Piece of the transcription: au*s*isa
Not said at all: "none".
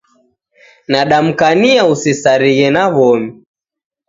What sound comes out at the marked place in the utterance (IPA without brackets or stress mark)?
s